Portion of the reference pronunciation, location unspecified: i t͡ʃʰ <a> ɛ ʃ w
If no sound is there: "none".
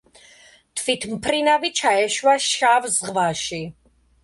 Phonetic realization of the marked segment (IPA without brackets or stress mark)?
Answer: a